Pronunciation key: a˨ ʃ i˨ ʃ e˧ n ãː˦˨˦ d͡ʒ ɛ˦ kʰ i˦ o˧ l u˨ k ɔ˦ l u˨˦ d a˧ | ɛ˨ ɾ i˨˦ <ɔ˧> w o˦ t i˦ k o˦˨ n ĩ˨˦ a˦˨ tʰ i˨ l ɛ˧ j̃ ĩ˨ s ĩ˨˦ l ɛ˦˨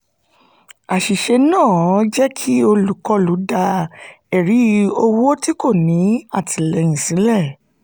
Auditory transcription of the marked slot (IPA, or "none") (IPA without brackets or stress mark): o˧